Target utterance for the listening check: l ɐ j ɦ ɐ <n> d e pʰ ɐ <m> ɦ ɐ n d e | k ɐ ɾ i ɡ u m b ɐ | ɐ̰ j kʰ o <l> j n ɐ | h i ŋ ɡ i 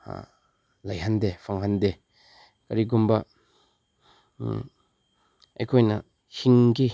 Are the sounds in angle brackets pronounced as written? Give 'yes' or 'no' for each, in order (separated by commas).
yes, no, no